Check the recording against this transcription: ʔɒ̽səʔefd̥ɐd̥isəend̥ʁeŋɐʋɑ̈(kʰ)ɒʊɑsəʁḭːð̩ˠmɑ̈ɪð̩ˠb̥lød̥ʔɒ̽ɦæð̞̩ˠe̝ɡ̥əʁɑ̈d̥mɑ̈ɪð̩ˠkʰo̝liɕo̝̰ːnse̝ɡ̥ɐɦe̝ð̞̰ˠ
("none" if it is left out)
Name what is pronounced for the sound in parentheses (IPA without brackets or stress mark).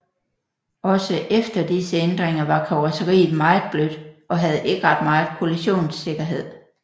kʰ